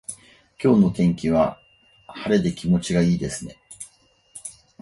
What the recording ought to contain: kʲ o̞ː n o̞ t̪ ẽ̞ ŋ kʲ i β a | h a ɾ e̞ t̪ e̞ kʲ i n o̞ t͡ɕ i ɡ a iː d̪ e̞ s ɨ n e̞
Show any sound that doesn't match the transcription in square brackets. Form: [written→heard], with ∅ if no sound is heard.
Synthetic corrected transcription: kʲ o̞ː n o̞ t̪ ẽ̞ ŋ kʲ i β a | h a ɾ e̞ [t̪→d̪] e̞ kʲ i [n→m] o̞ t͡ɕ i ɡ a iː d̪ e̞ s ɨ n e̞